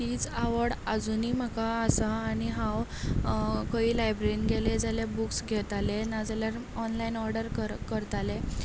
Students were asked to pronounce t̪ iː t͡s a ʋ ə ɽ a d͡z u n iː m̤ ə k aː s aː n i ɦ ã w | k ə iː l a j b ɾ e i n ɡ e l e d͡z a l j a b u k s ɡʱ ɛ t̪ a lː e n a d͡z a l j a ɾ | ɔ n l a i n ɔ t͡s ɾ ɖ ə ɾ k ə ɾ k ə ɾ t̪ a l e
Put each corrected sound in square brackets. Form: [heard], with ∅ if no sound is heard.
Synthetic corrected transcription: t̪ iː t͡s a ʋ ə ɽ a d͡z u n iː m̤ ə k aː s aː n i ɦ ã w | k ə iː l a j b ɾ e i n ɡ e l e d͡z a l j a b u k s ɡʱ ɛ t̪ a [l] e n a d͡z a l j a ɾ | ɔ n l a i n ɔ [∅] ɾ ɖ ə ɾ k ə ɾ k ə ɾ t̪ a l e

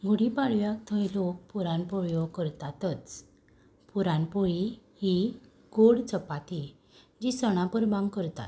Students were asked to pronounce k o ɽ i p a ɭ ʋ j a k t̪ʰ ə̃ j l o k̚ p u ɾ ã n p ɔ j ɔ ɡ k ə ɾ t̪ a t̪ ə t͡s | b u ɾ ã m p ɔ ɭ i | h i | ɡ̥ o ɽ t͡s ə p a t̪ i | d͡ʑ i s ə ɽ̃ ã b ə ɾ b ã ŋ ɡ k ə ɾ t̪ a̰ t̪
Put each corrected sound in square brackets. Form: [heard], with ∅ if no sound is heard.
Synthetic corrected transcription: [ɡ] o ɽ i p a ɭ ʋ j a k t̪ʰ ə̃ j l o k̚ p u ɾ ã n p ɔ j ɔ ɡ k ə ɾ t̪ a t̪ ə t͡s | [p] u ɾ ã [n] p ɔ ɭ i | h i | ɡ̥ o ɽ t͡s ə p a t̪ i | d͡ʑ i s ə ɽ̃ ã [p] ə ɾ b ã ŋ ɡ k ə ɾ t̪ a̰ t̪

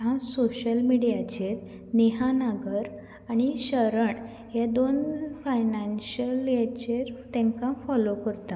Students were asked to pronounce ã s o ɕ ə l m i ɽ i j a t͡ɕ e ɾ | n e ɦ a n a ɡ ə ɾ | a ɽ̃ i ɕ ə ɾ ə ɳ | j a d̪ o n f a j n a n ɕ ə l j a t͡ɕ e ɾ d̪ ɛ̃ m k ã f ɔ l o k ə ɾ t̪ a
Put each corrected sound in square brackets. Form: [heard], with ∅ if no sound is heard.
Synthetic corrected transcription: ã s o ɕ ə l m i ɽ i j a t͡ɕ e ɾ | n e ɦ a n a ɡ ə ɾ | a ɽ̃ i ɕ ə ɾ ə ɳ | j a d̪ o n f a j n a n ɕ ə l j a t͡ɕ e ɾ [t̪] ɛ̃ [ŋ] k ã f ɔ l o k ə ɾ t̪ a

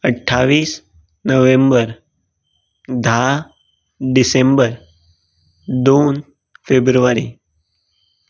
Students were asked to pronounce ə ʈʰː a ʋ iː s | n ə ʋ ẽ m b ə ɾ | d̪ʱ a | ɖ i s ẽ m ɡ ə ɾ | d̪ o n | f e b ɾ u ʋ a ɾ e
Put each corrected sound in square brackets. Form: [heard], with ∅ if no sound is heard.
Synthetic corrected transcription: ə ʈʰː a ʋ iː s | n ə ʋ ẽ m b ə ɾ | d̪ʱ a | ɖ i s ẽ m [b] ə ɾ | d̪ o n | f e b ɾ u ʋ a ɾ [i]

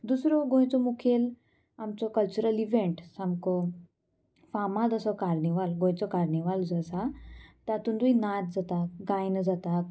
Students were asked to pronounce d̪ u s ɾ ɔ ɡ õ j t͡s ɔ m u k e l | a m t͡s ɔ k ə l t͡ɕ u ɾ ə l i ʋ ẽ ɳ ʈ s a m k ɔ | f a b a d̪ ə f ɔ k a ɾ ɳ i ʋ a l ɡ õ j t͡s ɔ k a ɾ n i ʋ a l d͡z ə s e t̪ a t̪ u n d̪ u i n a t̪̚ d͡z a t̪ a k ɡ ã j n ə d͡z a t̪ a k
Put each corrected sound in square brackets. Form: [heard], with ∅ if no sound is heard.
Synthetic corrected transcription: d̪ u s ɾ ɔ ɡ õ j t͡s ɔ m u [kʰ] e l | a m t͡s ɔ k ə l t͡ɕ u ɾ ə l i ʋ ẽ ɳ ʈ s a m k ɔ | f a [m] a d̪ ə [s] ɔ k a ɾ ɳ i ʋ a l ɡ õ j t͡s ɔ k a ɾ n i ʋ a l d͡z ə s [a] t̪ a t̪ u n d̪ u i n a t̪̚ d͡z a t̪ a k ɡ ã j n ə d͡z a t̪ a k

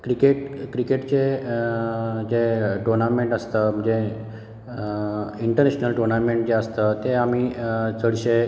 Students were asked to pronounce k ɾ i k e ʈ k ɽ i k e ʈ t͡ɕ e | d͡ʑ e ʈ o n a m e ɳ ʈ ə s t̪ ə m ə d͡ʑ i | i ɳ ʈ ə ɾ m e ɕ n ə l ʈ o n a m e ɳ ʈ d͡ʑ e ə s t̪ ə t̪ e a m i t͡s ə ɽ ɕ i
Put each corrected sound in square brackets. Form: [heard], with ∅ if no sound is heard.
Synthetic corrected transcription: k ɾ i k e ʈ k [ɾ] i k e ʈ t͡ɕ e | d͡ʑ e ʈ o n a m e ɳ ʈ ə s t̪ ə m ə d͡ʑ [e] | i ɳ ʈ ə ɾ [n] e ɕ n ə l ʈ o n a m e ɳ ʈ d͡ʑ e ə s t̪ ə t̪ e a m i t͡s ə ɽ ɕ [e]

